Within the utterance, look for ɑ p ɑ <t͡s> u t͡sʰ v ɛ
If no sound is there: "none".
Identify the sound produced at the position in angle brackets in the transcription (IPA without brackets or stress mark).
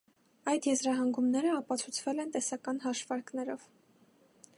t͡sʰ